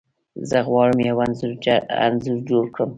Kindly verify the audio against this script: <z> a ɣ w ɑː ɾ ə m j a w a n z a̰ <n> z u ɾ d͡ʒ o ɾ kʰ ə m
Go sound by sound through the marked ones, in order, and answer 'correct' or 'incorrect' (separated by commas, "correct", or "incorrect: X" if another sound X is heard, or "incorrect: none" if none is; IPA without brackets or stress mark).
correct, correct